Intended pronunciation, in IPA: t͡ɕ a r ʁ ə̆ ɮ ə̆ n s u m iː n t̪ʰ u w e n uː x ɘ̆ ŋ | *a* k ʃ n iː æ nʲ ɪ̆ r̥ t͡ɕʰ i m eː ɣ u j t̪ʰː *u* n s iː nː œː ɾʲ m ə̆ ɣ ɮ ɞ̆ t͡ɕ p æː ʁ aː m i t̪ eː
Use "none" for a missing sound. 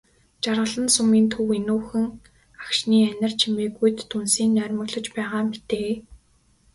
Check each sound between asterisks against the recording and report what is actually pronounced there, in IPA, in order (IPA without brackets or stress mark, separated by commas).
a, u